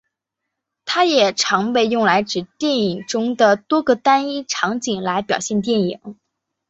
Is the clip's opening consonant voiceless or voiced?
voiceless